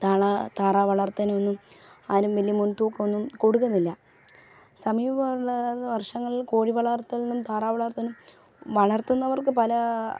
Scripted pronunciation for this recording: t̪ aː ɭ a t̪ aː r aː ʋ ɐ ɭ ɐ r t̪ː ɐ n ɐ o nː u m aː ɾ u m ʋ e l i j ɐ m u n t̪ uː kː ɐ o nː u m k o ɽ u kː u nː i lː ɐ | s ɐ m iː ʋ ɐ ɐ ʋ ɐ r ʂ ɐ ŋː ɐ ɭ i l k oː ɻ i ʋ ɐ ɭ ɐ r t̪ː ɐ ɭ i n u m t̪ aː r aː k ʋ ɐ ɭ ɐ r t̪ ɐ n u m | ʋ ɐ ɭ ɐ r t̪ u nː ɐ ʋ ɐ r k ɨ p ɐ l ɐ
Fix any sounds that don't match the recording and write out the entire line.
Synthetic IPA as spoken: t̪ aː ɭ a t̪ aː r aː ʋ ɐ ɭ ɐ r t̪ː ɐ n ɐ o nː u m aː ɾ u m ʋ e l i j ɐ m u n t̪ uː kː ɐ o nː u m k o ɽ u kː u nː i lː ɐ | s ɐ m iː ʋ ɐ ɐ ʋ ɐ r ʂ ɐ ŋː ɐ ɭ i l k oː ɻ i ʋ ɐ ɭ ɐ r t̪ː ɐ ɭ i n u m t̪ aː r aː ʋ ɐ ɭ ɐ r t̪ ɐ n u m | ʋ ɐ ɭ ɐ r t̪ u nː ɐ ʋ ɐ r k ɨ p ɐ l ɐ

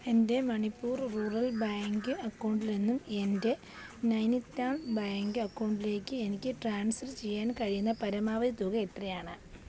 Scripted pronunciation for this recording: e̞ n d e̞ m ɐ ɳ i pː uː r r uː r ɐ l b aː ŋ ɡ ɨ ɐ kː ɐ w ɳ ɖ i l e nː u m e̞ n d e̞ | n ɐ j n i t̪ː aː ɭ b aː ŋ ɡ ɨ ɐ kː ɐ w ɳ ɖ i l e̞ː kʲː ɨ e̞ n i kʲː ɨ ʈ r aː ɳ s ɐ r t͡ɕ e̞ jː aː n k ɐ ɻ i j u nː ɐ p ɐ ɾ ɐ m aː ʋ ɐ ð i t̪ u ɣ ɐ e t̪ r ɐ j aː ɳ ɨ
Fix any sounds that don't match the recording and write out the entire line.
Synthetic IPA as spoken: e̞ n d e̞ m ɐ ɳ i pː uː r r uː r ɐ l b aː ŋ ɡ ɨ ɐ kː ɐ w ɳ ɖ i l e nː u m e̞ n d e̞ | n ɐ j n i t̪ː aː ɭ b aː ŋ ɡ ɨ ɐ kː ɐ w ɳ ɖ i l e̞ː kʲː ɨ e̞ n i kʲː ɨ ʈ r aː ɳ s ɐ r t͡ɕ e̞ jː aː n k ɐ ɻ i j u nː ɐ p ɐ ɾ ɐ m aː ʋ ɐ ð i t̪ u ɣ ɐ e t̪ r ɐ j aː ɳ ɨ

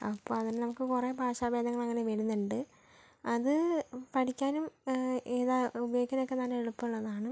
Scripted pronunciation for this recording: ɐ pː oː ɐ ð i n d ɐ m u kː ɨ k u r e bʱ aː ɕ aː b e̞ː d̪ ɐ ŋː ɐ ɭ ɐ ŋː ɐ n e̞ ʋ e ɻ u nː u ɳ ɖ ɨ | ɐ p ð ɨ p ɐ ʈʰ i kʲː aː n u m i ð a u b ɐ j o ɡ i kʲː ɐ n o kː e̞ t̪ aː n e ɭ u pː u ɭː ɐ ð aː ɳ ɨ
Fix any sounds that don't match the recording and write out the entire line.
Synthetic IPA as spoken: ɐ pː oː ɐ ð i n n ɐ m u kː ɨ k u r e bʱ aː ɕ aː b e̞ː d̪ ɐ ŋː ɐ ɭ ɐ ŋː ɐ n e̞ ʋ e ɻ u nː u ɳ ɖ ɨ | ɐ ð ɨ p ɐ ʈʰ i kʲː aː n u m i ð a u b ɐ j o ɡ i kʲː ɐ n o kː e̞ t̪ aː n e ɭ u pː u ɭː ɐ ð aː ɳ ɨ

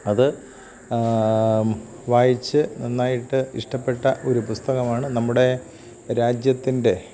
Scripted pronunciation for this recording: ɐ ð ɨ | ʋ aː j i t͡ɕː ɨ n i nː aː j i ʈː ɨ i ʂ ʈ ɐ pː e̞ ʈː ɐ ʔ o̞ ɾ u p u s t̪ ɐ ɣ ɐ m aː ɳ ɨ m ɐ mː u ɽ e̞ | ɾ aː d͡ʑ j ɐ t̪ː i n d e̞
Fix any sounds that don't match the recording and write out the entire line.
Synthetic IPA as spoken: ɐ ð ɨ | ʋ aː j i t͡ɕː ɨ n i nː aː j i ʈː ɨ i ʂ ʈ ɐ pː e̞ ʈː ɐ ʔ o̞ ɾ u p u s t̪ ɐ ɣ ɐ m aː ɳ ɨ n ɐ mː u ɽ e̞ | ɾ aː d͡ʑ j ɐ t̪ː i n d e̞

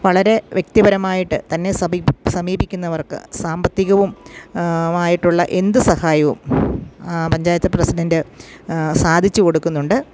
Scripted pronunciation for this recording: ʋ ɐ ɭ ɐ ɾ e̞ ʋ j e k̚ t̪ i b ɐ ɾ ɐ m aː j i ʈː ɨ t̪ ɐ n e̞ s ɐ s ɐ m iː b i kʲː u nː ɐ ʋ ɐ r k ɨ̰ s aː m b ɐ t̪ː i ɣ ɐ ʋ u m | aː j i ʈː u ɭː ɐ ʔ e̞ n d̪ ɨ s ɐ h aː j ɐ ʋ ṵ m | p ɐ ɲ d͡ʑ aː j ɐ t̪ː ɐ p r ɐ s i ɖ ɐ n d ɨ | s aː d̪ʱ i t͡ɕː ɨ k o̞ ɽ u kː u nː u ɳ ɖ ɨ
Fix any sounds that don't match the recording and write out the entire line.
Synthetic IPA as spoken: ʋ ɐ ɭ ɐ ɾ e̞ ʋ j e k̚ t̪ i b ɐ ɾ ɐ m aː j i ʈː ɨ t̪ ɐ nː e̞ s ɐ s ɐ m iː b i kʲː u nː ɐ ʋ ɐ r k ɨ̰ s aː m b ɐ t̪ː i ɣ ɐ ʋ u m | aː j i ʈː u ɭː ɐ ʔ e̞ n d̪ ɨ s ɐ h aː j ɐ ʋ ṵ m | p ɐ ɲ d͡ʑ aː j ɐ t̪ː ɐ p r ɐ s i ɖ ɐ n d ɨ | s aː d̪ʱ i t͡ɕː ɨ k o̞ ɽ u kː u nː u ɳ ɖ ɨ

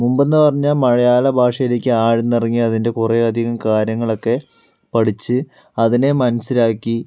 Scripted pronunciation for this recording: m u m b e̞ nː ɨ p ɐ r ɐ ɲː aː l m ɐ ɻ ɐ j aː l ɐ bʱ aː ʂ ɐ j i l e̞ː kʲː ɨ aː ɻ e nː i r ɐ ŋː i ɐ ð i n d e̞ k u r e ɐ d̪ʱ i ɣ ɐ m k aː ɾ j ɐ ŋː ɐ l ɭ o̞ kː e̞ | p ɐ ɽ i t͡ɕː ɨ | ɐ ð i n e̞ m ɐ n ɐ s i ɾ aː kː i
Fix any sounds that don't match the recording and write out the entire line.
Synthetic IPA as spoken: m u m b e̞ nː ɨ p ɐ r ɐ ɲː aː l m ɐ ɻ ɐ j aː l ɐ bʱ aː ʂ ɐ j i l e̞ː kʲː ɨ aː ɻ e nː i r ɐ ŋː i ɐ ð i n d e̞ k u r e ɐ d̪ʱ i ɣ ɐ m k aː ɾ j ɐ ŋː ɐ ɭ o̞ kː e̞ | p ɐ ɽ i t͡ɕː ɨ | ɐ ð i n e̞ m ɐ n ɐ s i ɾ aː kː i

